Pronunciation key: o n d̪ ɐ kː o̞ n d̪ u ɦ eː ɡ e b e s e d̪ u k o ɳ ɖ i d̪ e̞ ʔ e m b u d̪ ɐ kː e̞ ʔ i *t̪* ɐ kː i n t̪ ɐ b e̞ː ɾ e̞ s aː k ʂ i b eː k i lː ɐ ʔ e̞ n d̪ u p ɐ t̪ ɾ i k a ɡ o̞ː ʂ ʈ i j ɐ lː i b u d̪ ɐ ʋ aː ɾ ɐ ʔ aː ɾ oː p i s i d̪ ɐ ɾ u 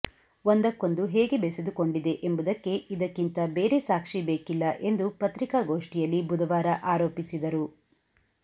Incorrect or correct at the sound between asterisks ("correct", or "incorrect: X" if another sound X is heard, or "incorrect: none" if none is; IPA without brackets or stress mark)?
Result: incorrect: d̪